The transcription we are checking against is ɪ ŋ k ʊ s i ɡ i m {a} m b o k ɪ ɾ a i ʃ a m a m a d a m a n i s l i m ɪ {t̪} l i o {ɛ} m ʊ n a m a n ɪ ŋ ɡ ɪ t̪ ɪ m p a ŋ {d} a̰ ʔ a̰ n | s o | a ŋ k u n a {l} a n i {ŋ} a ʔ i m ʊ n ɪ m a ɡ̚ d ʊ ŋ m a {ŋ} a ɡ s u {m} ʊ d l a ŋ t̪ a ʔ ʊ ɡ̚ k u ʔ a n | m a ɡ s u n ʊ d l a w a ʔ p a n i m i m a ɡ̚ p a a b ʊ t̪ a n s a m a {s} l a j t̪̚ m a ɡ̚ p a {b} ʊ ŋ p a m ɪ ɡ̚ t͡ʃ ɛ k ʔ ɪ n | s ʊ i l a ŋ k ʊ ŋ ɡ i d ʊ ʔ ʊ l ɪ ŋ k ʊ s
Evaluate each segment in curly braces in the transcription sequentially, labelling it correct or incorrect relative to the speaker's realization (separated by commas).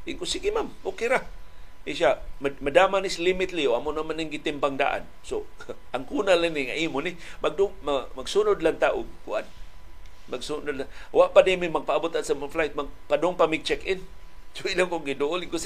correct, correct, incorrect, correct, correct, correct, incorrect, incorrect, incorrect, incorrect